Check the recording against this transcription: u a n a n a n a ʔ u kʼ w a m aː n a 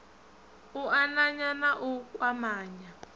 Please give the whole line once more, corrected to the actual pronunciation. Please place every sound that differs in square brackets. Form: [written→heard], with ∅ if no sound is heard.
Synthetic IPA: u a n a [n→ɲ] a n a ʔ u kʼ w a m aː [n→ɲ] a